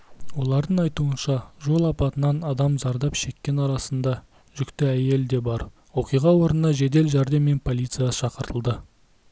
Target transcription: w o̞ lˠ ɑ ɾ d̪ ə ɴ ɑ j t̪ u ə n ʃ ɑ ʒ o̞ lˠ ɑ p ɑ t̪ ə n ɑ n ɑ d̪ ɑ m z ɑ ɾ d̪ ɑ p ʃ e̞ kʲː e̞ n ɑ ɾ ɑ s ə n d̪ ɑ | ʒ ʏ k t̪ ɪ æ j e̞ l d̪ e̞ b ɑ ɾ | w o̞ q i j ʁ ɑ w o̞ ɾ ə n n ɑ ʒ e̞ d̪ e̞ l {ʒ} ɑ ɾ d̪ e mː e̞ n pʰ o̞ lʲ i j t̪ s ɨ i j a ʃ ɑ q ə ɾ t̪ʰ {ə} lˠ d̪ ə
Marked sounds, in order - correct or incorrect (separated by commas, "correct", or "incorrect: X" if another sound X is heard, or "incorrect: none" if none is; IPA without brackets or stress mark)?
correct, correct